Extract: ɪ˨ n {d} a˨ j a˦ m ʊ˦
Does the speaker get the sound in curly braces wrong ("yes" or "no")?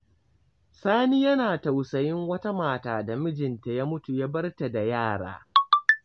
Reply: yes